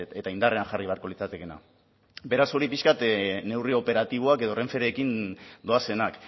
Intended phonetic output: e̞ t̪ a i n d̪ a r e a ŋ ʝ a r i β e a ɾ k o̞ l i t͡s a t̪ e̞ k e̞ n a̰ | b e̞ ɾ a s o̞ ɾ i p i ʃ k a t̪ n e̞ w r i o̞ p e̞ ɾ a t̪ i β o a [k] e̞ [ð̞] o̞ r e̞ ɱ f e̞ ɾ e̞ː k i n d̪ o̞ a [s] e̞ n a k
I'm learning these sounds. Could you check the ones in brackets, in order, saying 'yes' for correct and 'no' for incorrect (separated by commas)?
yes, yes, yes